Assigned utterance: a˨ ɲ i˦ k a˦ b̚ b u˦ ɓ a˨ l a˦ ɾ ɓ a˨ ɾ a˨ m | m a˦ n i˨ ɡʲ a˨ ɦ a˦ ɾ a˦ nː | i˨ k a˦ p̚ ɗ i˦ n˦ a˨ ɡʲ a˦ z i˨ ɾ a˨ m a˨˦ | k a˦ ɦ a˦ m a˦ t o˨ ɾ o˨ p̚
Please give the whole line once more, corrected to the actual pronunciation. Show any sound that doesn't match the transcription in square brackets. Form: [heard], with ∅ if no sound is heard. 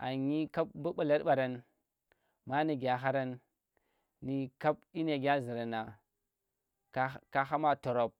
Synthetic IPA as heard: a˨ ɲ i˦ k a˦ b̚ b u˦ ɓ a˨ l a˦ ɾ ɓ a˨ ɾ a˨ [n] | m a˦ n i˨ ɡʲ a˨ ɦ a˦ ɾ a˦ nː | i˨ k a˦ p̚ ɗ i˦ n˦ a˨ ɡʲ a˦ z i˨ ɾ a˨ [n] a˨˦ | k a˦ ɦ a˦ m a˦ t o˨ ɾ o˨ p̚